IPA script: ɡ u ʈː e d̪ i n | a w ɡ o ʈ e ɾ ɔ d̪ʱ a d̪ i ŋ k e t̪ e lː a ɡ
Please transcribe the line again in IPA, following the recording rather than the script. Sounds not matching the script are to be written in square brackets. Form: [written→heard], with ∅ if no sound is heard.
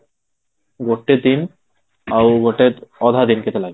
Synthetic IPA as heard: ɡ [u→o] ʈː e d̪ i n | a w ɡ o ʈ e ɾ ɔ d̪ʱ a d̪ i [ŋ→n] k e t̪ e [lː→l] a ɡ